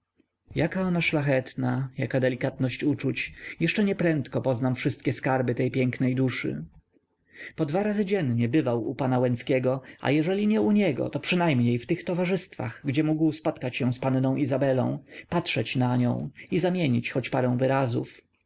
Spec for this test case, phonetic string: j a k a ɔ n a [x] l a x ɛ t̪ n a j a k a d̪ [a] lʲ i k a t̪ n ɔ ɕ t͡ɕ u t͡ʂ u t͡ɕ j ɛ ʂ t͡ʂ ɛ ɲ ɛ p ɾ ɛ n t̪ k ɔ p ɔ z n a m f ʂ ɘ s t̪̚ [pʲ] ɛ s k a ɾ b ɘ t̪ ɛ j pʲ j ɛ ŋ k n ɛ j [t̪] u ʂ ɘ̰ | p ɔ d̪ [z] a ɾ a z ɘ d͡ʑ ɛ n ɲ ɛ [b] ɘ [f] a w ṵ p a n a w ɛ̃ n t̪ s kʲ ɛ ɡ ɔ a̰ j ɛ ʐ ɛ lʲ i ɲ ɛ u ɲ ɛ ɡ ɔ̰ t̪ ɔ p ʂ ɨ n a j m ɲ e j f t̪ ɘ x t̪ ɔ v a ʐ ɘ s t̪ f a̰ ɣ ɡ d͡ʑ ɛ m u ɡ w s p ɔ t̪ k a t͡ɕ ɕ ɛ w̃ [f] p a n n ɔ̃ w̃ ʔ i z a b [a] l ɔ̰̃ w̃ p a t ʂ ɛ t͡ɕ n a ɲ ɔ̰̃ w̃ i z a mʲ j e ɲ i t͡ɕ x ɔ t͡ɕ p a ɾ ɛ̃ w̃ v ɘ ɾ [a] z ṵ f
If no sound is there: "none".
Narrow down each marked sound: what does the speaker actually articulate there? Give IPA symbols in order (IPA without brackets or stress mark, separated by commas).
ʂ, ɛ, kʲ, d̪, v, b, v, s, ɛ, a